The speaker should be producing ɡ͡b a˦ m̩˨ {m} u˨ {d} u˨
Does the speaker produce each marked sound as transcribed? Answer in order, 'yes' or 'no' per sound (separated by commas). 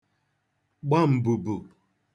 no, no